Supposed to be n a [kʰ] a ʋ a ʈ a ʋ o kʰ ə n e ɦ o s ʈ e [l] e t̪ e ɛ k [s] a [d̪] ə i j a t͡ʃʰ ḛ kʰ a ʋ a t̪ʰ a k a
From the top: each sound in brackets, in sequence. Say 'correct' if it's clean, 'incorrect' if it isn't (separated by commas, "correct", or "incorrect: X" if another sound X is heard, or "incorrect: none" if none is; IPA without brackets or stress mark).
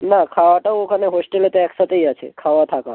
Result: correct, correct, correct, incorrect: t̪